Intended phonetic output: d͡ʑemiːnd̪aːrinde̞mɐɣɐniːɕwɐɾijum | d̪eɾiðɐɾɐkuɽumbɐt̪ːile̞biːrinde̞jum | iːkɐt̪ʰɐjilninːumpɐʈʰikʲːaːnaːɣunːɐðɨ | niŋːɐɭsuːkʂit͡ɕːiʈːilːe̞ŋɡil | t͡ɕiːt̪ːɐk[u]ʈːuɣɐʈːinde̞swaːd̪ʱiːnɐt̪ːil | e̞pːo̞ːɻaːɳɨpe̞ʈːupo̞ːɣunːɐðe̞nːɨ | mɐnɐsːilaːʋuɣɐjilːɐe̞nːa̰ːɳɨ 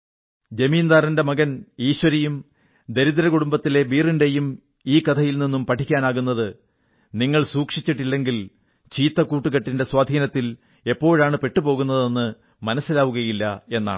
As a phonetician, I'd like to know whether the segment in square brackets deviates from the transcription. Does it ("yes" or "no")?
yes